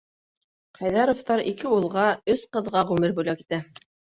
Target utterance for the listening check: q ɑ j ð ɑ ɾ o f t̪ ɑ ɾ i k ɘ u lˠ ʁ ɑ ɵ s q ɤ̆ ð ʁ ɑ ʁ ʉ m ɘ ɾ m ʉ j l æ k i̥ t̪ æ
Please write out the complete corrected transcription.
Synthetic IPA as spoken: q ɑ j ð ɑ ɾ o f t̪ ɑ ɾ i k ɘ u lˠ ʁ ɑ ɵ s q ɤ̆ ð ʁ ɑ ʁ ʉ m ɘ ɾ b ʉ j l æ k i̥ t̪ æ